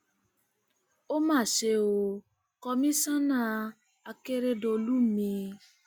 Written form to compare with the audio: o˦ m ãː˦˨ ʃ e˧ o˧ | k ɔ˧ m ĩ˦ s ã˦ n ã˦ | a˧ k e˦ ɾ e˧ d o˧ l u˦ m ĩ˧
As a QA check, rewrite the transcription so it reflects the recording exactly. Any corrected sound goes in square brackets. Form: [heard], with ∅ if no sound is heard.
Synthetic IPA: o˦ m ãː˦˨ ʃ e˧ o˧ | k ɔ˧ m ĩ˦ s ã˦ n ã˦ | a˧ k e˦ ɾ e˧ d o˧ l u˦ m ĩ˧